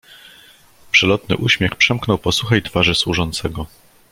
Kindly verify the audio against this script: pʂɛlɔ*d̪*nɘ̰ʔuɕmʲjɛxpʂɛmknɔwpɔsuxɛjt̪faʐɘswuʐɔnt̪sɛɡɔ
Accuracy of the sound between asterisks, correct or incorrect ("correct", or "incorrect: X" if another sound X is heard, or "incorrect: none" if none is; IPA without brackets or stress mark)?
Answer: incorrect: t̪